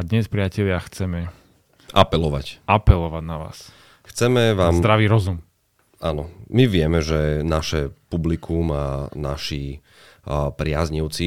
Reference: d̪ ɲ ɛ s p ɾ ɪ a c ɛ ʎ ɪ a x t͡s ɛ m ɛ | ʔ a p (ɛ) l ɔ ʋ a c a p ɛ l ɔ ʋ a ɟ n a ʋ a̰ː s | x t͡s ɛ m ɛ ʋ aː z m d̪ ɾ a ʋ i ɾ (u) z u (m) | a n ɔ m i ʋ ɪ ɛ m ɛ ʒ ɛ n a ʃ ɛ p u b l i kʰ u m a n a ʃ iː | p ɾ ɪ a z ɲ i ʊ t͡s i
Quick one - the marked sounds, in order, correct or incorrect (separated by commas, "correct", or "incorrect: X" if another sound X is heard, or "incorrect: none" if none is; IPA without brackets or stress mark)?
correct, incorrect: ɔ, correct